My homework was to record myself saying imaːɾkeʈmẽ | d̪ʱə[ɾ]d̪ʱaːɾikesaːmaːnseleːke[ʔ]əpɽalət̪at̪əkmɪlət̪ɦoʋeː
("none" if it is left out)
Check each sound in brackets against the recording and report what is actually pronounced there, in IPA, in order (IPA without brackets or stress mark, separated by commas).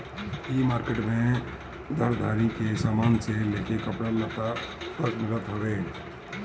ɾ, k